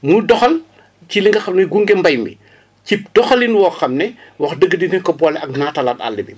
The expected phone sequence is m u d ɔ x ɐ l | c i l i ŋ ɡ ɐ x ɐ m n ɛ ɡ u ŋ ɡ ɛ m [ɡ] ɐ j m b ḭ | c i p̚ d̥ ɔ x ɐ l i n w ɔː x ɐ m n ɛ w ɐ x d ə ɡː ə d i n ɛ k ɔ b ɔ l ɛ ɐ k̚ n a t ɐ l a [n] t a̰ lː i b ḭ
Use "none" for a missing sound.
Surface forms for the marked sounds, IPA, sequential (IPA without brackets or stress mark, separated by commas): b, none